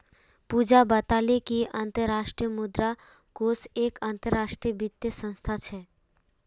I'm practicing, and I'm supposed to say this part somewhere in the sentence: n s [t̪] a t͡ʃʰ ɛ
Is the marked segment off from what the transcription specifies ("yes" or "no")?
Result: yes